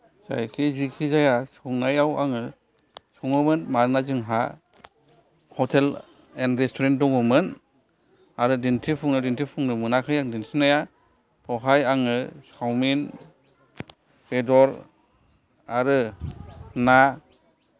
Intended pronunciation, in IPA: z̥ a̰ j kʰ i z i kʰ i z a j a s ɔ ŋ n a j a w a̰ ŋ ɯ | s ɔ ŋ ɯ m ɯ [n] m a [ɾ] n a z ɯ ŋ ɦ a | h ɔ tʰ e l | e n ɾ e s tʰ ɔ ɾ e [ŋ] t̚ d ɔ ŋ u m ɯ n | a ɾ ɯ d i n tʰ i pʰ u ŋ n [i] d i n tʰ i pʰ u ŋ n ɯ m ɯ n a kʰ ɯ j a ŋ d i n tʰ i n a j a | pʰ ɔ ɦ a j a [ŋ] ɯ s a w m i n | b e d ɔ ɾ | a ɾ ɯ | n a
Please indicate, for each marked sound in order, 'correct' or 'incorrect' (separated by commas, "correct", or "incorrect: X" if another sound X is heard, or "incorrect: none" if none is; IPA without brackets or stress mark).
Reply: correct, correct, incorrect: n, incorrect: a, correct